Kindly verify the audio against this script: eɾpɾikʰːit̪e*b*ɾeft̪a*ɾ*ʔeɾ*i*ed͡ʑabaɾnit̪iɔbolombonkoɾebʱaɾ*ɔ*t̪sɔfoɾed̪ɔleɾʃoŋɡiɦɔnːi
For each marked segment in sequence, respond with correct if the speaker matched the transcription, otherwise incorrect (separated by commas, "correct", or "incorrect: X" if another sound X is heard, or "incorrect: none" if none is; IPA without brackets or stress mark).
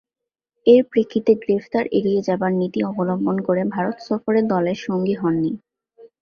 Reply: incorrect: ɡ, correct, correct, incorrect: o